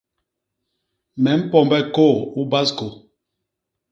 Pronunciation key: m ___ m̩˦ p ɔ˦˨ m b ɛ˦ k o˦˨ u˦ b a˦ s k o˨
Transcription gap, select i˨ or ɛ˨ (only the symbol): ɛ˨